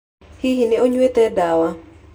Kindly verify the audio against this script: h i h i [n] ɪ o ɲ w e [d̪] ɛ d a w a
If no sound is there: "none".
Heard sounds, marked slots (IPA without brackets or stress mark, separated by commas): n, t̪